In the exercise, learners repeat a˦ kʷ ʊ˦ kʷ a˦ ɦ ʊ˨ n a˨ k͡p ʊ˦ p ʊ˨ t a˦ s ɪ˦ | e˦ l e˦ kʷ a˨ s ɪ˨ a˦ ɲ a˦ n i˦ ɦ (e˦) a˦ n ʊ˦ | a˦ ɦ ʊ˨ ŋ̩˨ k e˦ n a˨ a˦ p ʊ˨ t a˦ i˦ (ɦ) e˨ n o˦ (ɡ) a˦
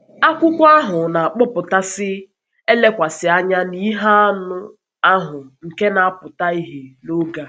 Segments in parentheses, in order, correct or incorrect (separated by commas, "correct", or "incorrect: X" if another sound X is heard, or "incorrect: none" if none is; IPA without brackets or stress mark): incorrect: a˦, correct, correct